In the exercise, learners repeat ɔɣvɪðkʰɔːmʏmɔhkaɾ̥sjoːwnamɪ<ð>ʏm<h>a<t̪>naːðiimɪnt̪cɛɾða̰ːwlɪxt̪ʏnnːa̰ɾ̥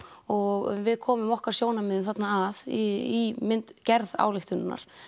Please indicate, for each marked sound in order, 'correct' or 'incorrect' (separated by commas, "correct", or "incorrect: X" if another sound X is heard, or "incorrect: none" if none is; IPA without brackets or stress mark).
correct, incorrect: θ, correct